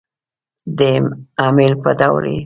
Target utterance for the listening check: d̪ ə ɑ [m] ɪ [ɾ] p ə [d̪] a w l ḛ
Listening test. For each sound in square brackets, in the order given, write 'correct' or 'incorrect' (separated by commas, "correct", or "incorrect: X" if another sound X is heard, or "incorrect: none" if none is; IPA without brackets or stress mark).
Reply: correct, incorrect: l, correct